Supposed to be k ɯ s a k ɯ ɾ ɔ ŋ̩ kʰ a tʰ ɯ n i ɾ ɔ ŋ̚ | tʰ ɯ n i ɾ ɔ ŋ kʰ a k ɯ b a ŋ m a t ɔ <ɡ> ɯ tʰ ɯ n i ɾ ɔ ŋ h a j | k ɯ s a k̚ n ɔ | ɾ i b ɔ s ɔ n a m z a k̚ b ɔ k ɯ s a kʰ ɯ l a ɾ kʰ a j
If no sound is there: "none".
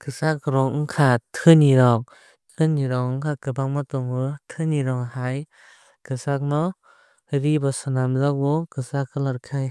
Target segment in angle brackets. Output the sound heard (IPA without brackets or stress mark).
ŋ